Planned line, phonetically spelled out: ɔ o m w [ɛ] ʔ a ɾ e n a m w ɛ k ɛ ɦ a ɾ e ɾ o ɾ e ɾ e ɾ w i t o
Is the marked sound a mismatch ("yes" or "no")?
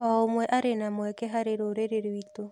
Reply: no